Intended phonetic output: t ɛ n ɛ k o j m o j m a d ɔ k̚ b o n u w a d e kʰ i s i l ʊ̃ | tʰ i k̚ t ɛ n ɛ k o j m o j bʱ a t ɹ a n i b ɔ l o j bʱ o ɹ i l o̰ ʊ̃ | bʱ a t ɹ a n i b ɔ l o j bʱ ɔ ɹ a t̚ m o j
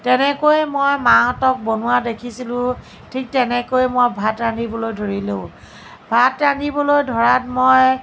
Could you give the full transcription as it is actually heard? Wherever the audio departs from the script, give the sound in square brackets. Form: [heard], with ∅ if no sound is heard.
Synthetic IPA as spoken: t ɛ n ɛ k o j m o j m a [t] ɔ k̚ b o n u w a d e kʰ i s i l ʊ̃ | tʰ i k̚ t ɛ n ɛ k o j m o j bʱ a t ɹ a n i b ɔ l o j [dʱ] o ɹ i l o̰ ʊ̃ | bʱ a t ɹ a n i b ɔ l o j [dʱ] ɔ ɹ a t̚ m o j